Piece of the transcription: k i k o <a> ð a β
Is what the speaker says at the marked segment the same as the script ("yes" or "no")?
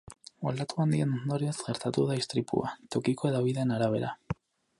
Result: no